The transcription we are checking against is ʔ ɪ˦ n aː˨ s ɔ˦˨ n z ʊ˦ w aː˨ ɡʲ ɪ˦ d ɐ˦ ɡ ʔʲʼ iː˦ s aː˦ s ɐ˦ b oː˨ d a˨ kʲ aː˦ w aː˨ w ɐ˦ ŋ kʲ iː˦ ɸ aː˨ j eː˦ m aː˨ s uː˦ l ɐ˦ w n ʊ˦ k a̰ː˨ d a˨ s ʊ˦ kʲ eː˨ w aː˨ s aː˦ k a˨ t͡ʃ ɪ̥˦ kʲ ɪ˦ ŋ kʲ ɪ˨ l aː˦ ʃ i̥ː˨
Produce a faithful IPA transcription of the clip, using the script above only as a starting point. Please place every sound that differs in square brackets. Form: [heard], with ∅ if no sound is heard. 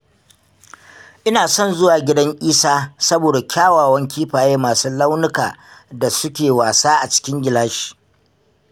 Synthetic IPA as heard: ʔ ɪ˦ n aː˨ s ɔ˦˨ n z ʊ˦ w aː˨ ɡʲ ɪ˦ d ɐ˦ [ŋ] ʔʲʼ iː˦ s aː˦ s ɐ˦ b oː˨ d a˨ kʲ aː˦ w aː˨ w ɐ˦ ŋ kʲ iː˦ ɸ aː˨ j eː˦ m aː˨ s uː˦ l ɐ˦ w n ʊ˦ k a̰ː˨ d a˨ s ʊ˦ kʲ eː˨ w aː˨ s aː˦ [ʔ] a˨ t͡ʃ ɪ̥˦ kʲ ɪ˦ ŋ [ɡʲ] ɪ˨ l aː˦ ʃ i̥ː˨